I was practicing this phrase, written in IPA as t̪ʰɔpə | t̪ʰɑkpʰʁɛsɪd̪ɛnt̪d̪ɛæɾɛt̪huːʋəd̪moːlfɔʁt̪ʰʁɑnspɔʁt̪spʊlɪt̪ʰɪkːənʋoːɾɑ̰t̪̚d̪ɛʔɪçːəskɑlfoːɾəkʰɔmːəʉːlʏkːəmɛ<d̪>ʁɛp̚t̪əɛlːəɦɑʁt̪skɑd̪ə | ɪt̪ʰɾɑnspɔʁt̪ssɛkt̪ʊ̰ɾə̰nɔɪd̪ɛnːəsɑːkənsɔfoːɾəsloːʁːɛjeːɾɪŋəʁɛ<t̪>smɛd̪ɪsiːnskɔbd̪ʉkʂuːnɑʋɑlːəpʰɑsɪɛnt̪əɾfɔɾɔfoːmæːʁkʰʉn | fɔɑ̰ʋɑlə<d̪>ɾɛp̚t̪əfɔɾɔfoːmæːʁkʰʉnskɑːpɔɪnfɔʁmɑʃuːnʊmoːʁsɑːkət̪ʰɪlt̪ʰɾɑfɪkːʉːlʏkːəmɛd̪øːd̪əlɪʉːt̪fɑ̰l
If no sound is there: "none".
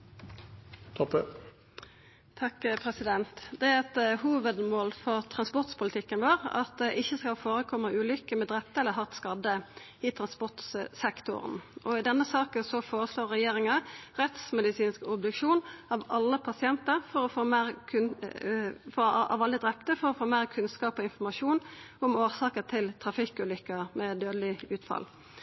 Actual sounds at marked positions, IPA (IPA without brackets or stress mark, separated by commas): d̪, t̪, d̪